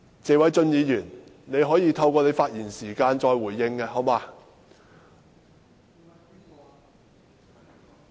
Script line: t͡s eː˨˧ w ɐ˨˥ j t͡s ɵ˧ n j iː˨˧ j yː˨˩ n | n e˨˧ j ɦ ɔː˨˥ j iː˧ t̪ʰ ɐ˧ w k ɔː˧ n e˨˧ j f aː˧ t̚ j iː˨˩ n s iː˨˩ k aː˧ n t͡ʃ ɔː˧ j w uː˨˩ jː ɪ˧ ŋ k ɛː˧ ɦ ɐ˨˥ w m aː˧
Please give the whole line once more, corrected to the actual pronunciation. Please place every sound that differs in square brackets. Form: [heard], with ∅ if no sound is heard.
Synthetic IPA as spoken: t͡s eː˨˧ w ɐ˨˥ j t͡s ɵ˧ n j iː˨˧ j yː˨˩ n | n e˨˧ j ɦ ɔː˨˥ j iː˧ t̪ʰ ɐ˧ w k ɔː˧ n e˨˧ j f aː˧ t̚ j iː˨˩ n s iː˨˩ k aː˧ n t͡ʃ ɔː˧ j w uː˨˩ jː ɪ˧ ŋ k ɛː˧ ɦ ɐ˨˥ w m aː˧